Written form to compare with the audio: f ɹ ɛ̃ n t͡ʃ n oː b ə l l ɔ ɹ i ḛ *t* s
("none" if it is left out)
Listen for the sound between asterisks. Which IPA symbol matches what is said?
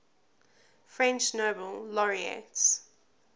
t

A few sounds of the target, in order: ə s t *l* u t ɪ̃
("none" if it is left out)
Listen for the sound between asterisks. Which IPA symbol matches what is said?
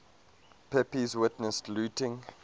l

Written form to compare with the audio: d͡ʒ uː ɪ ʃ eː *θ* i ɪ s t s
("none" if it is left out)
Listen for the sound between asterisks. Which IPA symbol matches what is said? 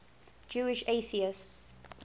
θ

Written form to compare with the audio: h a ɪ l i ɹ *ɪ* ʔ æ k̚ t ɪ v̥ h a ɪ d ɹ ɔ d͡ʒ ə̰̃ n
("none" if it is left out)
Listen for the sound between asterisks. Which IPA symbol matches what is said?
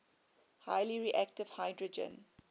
i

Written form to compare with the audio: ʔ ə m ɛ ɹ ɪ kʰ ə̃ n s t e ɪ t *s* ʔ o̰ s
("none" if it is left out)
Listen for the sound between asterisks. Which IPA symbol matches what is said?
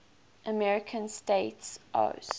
s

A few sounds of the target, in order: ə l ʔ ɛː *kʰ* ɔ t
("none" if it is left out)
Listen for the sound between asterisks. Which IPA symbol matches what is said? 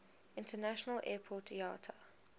pʰ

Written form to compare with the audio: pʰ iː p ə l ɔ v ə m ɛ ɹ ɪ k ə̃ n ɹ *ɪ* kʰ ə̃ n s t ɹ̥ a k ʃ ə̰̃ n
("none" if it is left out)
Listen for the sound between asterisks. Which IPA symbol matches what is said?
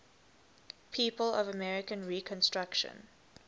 i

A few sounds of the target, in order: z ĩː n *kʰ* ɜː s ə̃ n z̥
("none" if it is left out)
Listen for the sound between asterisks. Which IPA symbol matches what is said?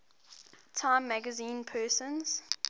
pʰ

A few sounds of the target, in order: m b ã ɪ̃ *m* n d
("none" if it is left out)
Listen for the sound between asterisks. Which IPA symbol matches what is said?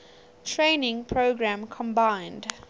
none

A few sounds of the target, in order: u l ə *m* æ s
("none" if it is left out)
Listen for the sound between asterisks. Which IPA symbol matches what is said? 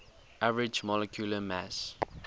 m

